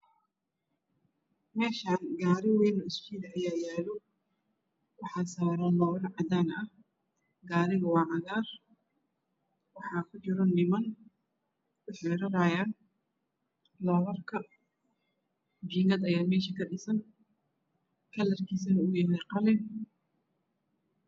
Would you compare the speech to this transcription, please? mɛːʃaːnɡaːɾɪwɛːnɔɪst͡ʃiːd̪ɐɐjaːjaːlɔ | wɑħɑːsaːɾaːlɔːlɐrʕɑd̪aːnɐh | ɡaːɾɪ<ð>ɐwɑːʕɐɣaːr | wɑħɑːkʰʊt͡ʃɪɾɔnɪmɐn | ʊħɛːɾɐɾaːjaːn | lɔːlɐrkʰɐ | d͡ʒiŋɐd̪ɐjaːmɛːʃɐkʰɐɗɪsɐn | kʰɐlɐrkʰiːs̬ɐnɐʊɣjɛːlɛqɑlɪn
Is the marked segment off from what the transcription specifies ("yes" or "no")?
yes